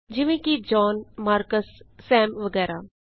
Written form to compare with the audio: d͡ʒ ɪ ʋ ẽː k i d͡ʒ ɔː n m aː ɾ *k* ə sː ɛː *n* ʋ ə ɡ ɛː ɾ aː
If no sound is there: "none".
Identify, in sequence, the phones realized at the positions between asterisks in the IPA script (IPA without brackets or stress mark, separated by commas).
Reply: k, m